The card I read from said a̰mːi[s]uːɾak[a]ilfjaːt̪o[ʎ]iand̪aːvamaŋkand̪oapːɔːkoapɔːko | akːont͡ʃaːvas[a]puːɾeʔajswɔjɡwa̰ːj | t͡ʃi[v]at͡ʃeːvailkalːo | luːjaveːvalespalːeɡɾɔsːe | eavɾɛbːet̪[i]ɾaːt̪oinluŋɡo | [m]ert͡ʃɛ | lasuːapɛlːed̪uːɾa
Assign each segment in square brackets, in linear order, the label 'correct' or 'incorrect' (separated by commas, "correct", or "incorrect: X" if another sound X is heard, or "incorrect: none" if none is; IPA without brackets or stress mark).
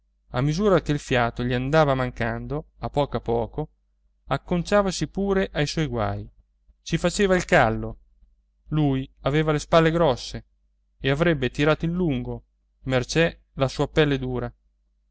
incorrect: z, incorrect: e, correct, incorrect: i, incorrect: f, correct, correct